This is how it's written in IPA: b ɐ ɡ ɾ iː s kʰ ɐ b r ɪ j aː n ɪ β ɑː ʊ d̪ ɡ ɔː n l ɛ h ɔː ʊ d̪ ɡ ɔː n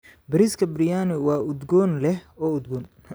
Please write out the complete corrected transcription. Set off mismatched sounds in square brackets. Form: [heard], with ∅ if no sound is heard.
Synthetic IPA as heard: b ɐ [∅] ɾ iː s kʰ ɐ b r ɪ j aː n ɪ [w] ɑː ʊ d̪ ɡ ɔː n l ɛ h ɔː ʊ d̪ ɡ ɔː n